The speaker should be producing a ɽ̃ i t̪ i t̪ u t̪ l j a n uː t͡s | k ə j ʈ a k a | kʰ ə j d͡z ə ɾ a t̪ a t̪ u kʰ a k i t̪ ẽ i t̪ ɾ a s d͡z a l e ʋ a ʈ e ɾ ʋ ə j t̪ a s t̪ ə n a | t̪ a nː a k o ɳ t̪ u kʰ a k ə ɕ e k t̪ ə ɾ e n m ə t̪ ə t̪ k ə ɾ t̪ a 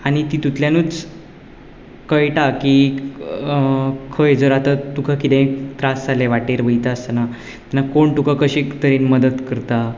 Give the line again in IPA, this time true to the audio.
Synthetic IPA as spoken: a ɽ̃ i t̪ i t̪ u t̪ l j a n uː t͡s | k ə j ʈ a k i | kʰ ə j d͡z ə ɾ a t̪ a t̪ u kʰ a k i t̪ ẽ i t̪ ɾ a s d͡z a l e ʋ a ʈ e ɾ ʋ ə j t̪ a s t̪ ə n a | t̪ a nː a k o ɳ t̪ u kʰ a k ə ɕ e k t̪ ə ɾ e n m ə d̪ ə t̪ k ə ɾ t̪ a